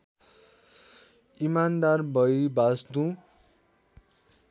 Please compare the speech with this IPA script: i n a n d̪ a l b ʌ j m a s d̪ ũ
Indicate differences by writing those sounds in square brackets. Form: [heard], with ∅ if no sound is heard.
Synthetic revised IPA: i [m] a n d̪ a [r] b ʌ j [b] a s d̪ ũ